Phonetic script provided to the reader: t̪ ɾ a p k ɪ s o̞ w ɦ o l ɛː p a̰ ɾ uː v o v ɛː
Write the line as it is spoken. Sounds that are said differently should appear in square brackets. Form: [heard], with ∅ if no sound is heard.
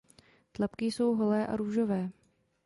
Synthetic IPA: t̪ [l] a p k ɪ s o̞ w ɦ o l ɛː [ʔ] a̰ ɾ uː [ʒ] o v ɛː